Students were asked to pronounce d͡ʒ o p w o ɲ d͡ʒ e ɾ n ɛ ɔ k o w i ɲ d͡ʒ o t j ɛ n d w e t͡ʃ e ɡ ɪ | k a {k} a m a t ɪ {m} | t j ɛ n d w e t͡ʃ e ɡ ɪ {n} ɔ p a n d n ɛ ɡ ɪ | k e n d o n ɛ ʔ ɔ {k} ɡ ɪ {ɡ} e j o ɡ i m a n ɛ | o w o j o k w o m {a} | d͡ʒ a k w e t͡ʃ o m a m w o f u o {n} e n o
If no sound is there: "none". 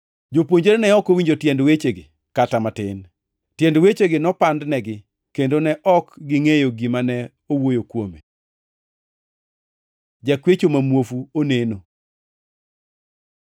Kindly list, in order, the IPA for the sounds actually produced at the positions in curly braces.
t, n, n, k, ŋ, e, n

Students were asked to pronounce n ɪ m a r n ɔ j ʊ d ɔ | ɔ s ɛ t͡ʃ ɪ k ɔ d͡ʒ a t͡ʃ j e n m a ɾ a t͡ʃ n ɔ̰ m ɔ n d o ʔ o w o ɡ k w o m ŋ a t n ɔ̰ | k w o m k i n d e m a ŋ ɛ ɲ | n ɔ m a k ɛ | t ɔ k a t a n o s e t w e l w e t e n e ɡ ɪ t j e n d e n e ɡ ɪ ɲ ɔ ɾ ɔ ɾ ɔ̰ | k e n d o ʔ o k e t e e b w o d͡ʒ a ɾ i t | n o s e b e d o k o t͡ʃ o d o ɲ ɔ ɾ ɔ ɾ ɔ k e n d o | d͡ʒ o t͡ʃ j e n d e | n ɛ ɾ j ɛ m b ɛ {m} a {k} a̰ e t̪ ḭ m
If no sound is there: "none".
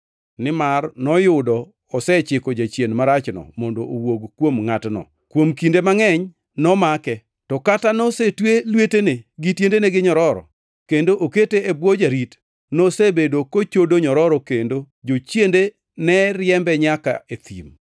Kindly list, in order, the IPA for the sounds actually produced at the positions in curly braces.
ɲ, k

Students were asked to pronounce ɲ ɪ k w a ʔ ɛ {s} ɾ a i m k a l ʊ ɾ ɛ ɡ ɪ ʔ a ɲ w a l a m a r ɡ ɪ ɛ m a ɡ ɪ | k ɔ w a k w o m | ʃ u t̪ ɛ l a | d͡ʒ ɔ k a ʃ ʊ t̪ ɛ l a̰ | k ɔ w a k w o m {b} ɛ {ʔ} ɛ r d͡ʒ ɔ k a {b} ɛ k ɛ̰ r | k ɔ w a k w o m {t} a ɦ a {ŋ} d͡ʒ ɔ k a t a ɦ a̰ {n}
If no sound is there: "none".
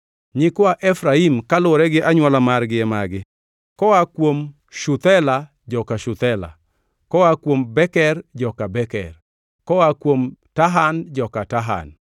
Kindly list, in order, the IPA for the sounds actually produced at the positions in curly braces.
f, b, k, b, t, n, n

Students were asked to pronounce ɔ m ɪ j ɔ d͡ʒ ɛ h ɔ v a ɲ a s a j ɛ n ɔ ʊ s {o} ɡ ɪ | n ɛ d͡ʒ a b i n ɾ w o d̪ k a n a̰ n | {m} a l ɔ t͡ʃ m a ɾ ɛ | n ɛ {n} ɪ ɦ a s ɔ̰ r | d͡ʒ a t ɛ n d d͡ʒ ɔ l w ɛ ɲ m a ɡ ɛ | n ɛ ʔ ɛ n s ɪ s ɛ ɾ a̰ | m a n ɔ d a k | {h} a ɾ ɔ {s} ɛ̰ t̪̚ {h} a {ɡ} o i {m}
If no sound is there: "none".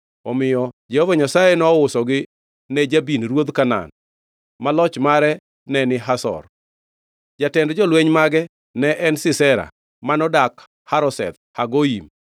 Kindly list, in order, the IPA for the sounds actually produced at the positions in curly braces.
ɔ, m, n, h, s, h, ɡ, m

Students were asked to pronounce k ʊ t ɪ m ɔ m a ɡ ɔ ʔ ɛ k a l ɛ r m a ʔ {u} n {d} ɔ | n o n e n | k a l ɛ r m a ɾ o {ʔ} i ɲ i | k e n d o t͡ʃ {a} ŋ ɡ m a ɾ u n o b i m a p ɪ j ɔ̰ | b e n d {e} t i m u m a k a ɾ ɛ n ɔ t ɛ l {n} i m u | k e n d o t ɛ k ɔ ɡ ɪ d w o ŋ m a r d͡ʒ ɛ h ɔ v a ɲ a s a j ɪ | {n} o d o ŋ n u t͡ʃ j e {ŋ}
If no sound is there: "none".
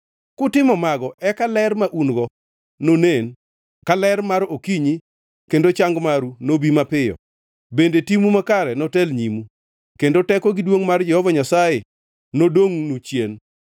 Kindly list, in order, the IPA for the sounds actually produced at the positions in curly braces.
u, ɡ, k, a, e, ɲ, n, n

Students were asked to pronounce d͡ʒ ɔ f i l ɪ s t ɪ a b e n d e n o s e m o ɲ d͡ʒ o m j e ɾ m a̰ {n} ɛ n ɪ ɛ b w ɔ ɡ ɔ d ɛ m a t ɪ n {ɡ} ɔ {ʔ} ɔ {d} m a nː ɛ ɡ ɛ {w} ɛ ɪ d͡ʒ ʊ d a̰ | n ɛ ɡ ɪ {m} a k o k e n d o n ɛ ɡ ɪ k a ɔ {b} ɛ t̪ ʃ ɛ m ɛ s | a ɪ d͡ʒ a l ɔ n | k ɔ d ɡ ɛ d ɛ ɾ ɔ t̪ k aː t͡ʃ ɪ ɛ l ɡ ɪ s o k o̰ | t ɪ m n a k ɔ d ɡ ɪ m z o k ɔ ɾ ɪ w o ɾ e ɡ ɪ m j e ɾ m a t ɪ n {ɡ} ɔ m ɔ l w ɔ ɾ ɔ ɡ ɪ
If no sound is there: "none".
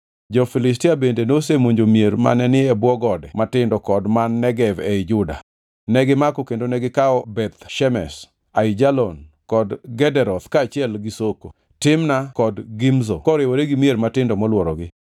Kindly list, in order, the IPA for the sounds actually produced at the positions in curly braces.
n, d, k, d, v, m, b, d

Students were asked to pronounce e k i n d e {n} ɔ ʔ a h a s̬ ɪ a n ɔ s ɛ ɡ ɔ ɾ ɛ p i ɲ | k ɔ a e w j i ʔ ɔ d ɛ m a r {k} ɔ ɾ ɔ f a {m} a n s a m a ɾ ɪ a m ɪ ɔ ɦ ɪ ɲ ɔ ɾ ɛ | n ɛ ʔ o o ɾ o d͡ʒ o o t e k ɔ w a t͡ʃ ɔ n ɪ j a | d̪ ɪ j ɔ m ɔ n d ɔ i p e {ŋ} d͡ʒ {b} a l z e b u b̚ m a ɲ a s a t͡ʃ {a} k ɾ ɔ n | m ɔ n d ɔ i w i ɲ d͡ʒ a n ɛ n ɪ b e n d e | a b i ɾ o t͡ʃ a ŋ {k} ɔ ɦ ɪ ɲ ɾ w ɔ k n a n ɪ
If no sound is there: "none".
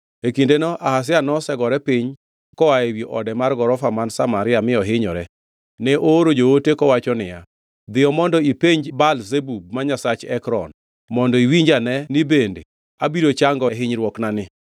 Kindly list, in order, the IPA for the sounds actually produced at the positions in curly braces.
n, ɡ, m, ɲ, b, ɛ, ɡ

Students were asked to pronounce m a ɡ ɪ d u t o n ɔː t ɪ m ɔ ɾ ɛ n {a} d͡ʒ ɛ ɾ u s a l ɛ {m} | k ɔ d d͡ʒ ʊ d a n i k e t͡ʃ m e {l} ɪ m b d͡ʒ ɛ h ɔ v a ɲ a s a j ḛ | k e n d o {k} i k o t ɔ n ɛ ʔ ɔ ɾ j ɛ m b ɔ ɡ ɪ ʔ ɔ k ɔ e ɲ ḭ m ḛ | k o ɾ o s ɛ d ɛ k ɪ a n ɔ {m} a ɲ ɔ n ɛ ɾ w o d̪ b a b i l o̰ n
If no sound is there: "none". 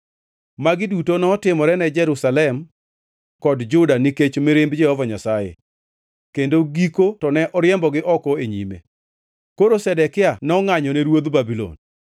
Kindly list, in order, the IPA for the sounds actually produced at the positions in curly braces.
ɛ, m, ɾ, ɡ, ŋ

